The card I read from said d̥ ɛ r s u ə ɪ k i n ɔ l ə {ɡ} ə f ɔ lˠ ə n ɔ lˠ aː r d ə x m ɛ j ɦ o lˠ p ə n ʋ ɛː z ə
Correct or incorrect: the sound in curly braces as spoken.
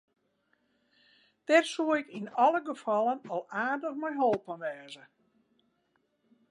correct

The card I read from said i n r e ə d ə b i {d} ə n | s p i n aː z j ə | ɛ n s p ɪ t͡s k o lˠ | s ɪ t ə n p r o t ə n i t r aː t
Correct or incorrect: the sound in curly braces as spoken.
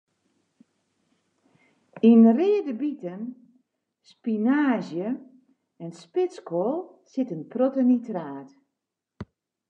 incorrect: t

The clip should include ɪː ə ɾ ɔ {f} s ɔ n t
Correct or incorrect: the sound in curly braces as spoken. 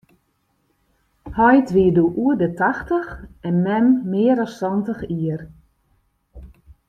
incorrect: s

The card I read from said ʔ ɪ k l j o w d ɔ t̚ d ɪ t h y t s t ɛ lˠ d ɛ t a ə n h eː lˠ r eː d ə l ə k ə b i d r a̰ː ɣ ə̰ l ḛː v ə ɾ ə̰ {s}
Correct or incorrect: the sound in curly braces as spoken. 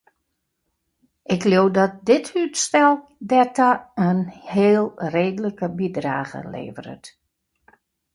incorrect: t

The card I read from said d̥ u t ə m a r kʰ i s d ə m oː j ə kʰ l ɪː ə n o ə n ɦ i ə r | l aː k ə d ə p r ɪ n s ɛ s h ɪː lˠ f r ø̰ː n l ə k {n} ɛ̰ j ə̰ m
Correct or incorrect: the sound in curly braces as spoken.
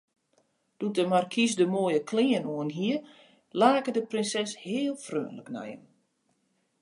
correct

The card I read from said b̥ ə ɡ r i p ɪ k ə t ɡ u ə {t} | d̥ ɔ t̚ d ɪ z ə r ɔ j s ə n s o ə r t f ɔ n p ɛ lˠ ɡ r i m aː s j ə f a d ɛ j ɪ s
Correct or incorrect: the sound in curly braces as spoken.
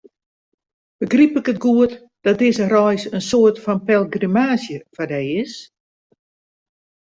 correct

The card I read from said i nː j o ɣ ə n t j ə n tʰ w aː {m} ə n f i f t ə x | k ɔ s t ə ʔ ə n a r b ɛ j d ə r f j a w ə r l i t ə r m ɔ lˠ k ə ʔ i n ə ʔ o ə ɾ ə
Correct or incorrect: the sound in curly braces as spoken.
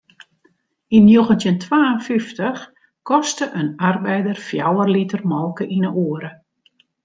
incorrect: none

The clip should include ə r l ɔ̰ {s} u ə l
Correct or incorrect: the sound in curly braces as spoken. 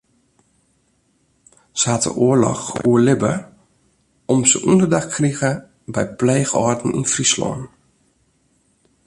incorrect: x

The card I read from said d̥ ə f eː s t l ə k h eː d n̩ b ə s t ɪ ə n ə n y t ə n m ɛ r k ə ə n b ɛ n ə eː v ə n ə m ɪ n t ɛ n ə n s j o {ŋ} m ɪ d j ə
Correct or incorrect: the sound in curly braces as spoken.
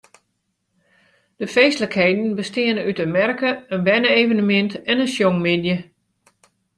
correct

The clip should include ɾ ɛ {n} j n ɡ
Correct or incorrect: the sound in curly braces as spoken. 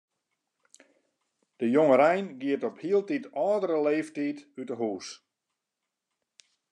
incorrect: none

